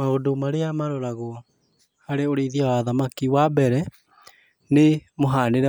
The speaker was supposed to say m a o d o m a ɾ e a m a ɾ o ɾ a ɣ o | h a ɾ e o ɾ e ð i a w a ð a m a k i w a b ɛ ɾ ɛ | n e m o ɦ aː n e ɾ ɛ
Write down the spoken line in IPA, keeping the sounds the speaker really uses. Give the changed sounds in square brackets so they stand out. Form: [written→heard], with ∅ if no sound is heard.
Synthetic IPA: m a o d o m a ɾ e a m a ɾ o ɾ a ɣ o | h a ɾ e o ɾ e ð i a w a ð a m a k i w a b ɛ ɾ ɛ | n e m o ɦ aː n e ɾ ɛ